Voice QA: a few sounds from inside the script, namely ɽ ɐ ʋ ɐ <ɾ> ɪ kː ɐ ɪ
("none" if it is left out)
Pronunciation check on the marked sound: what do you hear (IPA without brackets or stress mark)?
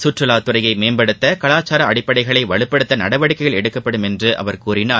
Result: ɽ